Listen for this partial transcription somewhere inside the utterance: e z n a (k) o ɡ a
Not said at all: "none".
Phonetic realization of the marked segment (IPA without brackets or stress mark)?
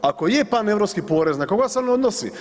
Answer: k